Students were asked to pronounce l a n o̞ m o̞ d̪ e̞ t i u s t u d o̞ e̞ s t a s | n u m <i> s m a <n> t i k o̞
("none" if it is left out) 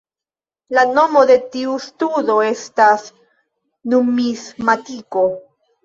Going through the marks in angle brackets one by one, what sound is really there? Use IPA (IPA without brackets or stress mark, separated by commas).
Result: i, none